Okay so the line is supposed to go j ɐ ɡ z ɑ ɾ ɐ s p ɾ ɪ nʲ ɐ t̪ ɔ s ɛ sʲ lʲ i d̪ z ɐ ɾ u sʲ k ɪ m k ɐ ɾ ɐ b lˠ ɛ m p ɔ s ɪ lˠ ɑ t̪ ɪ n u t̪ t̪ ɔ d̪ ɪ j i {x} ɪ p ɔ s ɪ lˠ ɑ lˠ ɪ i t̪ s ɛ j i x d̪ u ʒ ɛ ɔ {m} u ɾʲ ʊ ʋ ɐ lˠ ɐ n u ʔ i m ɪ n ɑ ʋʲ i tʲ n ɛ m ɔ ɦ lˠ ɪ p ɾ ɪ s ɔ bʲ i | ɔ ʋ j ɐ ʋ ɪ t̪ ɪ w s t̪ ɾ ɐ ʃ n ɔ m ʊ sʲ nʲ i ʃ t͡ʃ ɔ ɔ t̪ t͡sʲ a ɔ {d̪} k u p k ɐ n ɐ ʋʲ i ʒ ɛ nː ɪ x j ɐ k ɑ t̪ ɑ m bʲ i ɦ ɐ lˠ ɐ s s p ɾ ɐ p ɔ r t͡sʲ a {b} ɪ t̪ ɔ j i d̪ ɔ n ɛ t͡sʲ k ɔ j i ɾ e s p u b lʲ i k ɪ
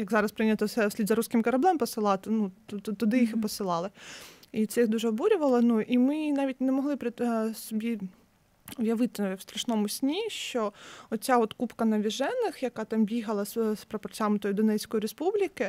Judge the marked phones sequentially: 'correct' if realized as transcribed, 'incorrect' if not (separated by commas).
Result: correct, incorrect, incorrect, incorrect